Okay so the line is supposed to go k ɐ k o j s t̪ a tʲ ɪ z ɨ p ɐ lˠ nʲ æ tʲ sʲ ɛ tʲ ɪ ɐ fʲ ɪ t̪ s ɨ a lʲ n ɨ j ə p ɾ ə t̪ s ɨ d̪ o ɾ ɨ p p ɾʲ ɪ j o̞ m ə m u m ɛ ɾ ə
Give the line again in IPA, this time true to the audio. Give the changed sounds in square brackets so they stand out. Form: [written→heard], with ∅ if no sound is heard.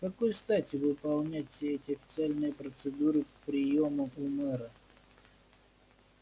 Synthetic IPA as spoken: k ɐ k o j s t̪ a tʲ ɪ [z→v] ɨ p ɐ lˠ nʲ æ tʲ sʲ ɛ tʲ ɪ ɐ fʲ ɪ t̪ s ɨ a lʲ n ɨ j ə p ɾ ə t̪ s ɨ d̪ [o→u] ɾ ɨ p p ɾʲ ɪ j o̞ m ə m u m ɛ ɾ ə